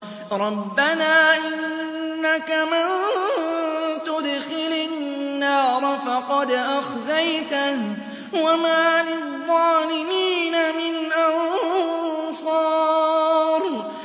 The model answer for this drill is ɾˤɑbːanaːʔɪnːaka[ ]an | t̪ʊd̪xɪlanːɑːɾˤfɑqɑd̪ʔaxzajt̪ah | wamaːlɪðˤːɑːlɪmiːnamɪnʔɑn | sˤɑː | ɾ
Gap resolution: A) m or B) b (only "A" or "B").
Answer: A